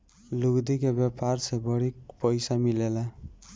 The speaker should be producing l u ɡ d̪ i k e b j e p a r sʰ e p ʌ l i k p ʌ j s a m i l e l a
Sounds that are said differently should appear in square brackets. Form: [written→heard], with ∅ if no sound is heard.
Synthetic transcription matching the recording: l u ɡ d̪ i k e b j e p a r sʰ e [p→b] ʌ [l→ɽ] i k p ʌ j s a m i l e l a